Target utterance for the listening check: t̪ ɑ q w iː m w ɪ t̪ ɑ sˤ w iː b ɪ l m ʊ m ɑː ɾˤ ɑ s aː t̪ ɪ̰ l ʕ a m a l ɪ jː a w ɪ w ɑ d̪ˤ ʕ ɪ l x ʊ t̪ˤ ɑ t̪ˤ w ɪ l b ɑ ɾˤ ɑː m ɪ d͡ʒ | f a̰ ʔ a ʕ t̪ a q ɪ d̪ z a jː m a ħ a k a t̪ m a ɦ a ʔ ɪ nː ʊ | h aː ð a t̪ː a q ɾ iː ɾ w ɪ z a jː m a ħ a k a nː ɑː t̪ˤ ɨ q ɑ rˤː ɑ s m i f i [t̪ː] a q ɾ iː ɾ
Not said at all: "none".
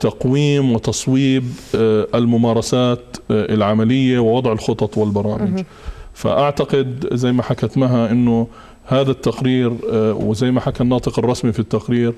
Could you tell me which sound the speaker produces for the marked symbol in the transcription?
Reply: t̪ː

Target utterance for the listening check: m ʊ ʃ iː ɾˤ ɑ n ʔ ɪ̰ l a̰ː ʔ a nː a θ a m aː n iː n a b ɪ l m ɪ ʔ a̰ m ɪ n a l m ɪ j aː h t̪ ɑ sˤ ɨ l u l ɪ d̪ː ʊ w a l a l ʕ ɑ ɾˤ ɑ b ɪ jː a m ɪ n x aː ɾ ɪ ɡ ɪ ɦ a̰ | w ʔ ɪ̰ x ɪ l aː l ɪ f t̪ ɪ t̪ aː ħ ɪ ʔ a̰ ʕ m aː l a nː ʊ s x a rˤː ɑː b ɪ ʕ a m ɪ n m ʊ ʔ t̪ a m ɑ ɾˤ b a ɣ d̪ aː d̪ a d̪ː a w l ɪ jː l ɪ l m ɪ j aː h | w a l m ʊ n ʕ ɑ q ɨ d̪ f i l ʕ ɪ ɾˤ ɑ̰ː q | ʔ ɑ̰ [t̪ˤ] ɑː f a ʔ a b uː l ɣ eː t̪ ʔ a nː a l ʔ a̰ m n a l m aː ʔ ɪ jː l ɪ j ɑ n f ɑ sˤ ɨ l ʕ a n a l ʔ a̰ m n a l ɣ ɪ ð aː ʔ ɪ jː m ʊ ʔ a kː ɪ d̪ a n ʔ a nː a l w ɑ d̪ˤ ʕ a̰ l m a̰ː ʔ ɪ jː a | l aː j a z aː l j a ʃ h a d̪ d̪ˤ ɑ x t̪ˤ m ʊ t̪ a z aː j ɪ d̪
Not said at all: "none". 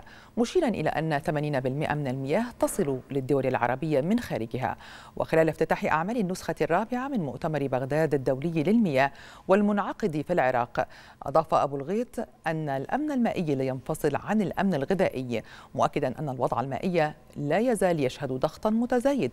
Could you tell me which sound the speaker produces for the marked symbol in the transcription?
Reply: d̪ˤ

